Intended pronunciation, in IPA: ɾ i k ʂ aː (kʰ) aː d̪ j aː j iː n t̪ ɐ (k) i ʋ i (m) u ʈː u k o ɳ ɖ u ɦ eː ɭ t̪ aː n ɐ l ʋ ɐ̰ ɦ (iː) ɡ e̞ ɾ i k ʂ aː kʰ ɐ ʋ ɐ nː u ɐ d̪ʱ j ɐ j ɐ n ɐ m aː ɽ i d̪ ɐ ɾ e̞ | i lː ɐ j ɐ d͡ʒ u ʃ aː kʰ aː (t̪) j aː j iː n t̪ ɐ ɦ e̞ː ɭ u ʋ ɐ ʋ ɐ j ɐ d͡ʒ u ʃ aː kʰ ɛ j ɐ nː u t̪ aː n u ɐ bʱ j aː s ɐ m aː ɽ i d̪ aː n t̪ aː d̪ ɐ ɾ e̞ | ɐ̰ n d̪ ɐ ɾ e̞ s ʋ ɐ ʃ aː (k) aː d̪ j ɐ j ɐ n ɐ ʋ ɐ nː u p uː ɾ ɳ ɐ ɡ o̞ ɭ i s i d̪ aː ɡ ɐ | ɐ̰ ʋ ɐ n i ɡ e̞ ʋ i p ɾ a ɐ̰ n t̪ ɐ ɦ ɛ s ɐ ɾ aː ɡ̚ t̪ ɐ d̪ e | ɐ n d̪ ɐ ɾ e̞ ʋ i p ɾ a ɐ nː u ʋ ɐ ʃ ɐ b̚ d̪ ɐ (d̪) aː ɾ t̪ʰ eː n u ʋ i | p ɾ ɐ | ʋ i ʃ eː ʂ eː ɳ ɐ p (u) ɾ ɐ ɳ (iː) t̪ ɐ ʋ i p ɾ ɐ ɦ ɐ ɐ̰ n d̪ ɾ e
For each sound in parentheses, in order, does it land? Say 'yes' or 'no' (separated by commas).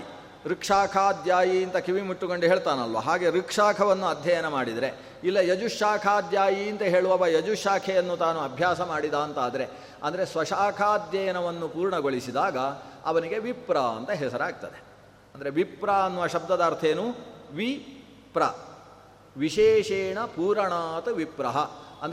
yes, yes, yes, no, no, no, yes, no, no